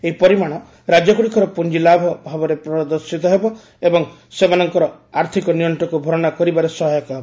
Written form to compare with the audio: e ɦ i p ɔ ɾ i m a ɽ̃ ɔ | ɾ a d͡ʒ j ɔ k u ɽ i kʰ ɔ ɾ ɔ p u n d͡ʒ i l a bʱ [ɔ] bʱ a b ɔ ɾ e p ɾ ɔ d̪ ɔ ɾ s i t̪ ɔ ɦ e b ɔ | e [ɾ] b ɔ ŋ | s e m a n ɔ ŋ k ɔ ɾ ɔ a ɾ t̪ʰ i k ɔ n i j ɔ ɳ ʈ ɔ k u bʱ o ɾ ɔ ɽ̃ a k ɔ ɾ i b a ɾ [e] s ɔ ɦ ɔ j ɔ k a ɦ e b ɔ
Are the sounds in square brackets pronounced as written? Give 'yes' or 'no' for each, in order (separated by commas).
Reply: yes, no, yes